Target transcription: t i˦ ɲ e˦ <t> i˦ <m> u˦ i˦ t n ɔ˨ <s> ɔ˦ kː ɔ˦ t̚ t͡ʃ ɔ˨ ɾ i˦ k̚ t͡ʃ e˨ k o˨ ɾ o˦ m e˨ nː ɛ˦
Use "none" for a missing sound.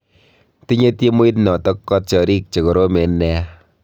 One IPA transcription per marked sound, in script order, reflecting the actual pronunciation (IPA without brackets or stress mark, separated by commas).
t, m, t